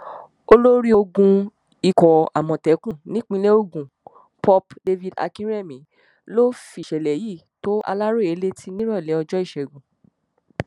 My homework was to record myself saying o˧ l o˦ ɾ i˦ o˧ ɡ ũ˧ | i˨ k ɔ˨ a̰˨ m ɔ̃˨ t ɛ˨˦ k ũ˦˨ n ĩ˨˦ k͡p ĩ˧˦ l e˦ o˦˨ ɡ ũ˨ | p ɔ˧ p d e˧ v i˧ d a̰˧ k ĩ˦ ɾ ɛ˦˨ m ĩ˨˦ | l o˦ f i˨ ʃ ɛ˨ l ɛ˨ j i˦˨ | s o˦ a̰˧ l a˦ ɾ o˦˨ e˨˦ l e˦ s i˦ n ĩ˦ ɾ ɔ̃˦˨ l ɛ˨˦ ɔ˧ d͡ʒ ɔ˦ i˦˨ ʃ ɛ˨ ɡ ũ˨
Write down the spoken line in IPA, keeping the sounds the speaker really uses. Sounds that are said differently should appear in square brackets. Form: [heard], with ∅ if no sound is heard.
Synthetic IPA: o˧ l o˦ ɾ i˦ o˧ ɡ ũ˧ | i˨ k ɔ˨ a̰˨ m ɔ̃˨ t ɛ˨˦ k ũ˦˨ n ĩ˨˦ k͡p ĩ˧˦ l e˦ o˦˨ ɡ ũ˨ | p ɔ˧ p d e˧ v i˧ d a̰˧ k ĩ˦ ɾ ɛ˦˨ m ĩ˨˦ | l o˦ f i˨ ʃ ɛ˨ l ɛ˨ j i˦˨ | [t] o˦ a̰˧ l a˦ ɾ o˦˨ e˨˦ l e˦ [t] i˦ n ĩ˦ ɾ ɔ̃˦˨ l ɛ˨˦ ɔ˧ d͡ʒ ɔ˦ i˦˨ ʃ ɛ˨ ɡ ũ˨

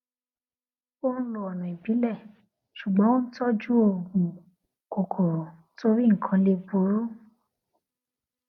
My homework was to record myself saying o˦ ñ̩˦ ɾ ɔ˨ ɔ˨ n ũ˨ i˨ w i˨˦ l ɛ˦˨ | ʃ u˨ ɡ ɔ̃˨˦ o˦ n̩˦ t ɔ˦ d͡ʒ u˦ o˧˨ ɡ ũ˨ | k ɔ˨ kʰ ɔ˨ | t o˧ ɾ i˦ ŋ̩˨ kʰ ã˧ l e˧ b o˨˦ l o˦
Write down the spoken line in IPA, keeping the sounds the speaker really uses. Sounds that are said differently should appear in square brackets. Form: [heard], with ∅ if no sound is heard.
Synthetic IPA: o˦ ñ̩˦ [l] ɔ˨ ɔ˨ n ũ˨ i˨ [b] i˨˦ l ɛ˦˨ | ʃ u˨ [ɡ͡b] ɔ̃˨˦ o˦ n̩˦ t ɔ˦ d͡ʒ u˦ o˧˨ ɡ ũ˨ | k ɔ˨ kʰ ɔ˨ | t o˧ ɾ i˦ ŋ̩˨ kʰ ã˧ l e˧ b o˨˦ [ɾ] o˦

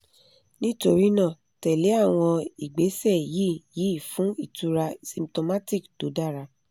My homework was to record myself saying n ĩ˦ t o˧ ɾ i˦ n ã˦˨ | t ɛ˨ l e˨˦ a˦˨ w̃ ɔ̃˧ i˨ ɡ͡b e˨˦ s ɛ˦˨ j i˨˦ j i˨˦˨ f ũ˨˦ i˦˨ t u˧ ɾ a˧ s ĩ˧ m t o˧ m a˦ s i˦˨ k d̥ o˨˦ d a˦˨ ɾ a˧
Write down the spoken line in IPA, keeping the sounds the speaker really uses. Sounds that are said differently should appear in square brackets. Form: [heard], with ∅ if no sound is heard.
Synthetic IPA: n ĩ˦ t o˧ ɾ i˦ n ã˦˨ | t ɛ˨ l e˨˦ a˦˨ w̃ ɔ̃˧ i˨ ɡ͡b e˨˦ s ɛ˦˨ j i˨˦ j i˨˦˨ f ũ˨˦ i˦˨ t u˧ ɾ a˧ s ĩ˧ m t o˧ m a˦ [t] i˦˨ k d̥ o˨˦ d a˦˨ ɾ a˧

